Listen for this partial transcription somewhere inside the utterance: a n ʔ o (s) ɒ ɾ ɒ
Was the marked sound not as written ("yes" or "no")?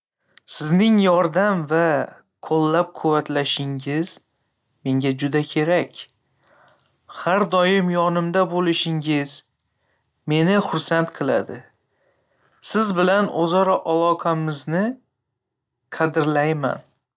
yes